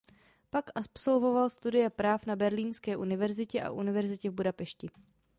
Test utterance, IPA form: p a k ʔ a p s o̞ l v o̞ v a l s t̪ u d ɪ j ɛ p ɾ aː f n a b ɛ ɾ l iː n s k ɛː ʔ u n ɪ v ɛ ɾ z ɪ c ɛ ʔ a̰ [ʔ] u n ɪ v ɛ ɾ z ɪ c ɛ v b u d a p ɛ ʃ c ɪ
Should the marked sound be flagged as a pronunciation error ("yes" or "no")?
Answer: no